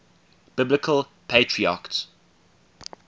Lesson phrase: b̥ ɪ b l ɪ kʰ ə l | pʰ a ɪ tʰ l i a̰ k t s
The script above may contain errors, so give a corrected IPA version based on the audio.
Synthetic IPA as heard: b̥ ɪ b l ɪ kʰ ə l | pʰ e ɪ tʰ ɹ i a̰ k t s